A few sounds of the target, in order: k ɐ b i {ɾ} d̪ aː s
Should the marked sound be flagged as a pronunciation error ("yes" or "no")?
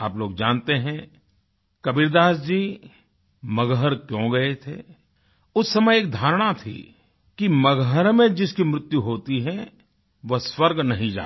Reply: no